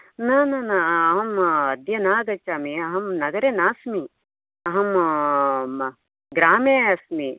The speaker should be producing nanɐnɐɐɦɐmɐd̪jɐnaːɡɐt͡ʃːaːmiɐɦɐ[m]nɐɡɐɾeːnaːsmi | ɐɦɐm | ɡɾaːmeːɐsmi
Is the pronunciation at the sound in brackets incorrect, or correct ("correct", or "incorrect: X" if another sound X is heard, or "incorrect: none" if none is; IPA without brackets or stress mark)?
correct